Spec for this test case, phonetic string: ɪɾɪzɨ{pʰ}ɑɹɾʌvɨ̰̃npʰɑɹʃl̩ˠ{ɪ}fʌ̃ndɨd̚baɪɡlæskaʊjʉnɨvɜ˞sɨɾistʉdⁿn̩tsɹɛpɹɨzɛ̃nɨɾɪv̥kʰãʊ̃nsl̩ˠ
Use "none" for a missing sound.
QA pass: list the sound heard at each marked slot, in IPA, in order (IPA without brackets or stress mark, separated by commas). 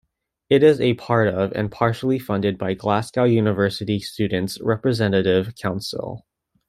pʰ, i